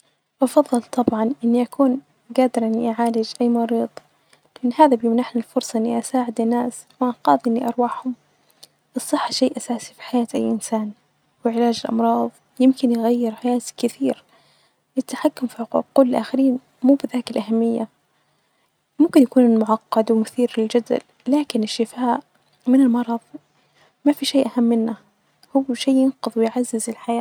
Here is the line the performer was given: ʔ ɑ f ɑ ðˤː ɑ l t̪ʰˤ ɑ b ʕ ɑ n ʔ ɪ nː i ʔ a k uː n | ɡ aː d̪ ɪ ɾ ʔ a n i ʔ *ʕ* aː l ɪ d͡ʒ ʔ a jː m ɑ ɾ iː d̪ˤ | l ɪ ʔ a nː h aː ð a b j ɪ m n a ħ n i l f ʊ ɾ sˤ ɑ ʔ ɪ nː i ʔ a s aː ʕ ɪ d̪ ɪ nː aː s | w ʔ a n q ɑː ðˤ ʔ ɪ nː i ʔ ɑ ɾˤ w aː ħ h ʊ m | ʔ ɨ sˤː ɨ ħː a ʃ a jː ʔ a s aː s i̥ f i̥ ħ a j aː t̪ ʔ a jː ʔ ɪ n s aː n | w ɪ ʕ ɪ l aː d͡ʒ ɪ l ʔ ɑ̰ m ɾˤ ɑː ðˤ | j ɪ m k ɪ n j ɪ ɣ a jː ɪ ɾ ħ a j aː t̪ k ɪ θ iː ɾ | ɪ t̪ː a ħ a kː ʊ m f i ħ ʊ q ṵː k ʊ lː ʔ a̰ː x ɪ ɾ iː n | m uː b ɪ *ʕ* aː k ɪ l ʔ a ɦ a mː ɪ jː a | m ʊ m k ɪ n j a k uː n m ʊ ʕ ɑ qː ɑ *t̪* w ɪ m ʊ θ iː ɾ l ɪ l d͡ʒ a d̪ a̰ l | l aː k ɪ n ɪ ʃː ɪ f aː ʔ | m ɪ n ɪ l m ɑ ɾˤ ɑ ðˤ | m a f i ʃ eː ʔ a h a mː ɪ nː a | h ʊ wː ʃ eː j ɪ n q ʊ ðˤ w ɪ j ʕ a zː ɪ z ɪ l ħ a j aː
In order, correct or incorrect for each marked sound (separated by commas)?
correct, incorrect, incorrect